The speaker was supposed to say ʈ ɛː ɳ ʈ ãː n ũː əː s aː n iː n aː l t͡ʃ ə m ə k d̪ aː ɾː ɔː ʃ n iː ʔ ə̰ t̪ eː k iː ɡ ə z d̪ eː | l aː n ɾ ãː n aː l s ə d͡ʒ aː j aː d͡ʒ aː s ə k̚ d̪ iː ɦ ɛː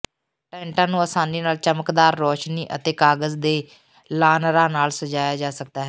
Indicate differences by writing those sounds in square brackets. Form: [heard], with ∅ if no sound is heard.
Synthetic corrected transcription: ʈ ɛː ɳ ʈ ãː n ũː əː s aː n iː n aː l t͡ʃ ə m ə k d̪ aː ɾː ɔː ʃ n iː ʔ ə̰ t̪ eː k [aː] ɡ ə z d̪ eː | l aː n ɾ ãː n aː l s ə d͡ʒ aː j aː d͡ʒ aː s ə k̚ d̪ [aː] ɦ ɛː